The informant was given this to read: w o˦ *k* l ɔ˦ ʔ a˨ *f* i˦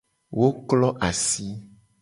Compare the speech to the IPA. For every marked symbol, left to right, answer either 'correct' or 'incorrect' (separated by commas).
correct, incorrect